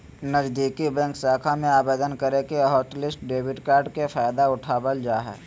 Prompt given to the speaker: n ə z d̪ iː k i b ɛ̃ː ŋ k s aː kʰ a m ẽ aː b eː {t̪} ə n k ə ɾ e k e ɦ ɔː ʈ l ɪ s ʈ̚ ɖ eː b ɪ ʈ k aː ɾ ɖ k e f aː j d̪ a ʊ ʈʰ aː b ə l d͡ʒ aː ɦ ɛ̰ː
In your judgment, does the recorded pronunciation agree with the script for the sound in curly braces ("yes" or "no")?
no